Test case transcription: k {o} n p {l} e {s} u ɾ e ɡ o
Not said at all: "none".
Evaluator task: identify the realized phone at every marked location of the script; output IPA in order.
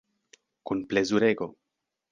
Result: u, l, z

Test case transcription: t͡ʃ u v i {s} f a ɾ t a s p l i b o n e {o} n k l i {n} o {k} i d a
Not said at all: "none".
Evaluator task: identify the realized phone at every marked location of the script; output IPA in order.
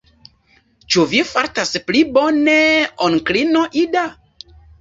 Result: none, o, n, ʔ

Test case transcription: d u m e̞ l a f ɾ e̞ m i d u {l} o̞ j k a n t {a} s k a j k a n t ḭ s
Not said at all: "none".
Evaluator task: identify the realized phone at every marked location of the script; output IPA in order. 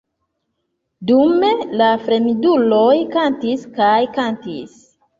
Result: l, i

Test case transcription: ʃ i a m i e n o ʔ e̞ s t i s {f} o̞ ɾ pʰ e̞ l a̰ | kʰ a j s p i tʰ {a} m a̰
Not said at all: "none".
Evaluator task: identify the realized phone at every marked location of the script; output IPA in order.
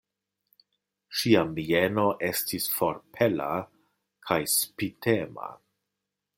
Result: f, e

